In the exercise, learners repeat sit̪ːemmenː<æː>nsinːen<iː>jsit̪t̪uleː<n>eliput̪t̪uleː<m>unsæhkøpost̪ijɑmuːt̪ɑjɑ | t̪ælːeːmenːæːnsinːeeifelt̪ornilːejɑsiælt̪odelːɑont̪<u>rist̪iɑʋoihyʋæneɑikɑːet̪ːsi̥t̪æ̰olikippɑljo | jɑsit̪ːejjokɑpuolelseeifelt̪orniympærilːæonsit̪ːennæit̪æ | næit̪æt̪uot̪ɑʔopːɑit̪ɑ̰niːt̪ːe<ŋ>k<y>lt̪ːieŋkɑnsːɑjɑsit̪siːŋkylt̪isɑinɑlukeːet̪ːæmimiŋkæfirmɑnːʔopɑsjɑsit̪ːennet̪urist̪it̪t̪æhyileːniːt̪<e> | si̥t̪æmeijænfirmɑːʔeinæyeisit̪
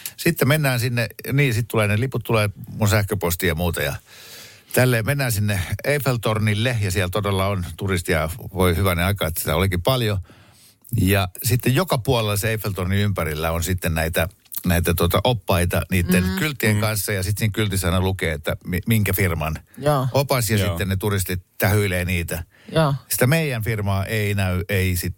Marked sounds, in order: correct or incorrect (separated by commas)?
correct, correct, correct, correct, correct, incorrect, correct, incorrect